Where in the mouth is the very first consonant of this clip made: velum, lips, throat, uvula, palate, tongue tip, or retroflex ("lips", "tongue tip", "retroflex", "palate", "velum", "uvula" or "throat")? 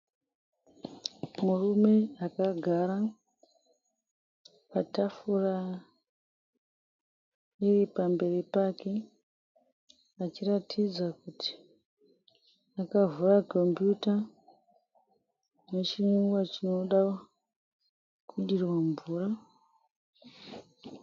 lips